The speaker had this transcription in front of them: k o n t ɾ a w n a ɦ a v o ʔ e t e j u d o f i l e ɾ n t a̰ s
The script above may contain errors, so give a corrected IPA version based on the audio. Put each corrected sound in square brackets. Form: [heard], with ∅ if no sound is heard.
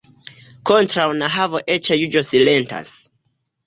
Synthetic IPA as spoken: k o n t ɾ a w n a ɦ a v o ʔ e [t͡ʃ] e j u [d͡ʒ] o [s] i l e [∅] n t a̰ s